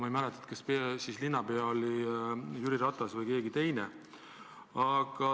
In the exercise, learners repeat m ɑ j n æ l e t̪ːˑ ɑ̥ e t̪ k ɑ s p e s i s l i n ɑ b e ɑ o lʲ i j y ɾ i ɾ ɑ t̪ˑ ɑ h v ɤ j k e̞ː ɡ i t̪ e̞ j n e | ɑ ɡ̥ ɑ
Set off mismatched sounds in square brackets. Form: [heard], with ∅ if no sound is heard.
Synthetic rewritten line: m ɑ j [m] æ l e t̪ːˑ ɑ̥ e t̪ k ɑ s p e s i s l i [nː] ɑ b e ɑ o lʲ i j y ɾ i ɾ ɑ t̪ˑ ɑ [s] v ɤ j k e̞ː ɡ i t̪ e̞ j n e | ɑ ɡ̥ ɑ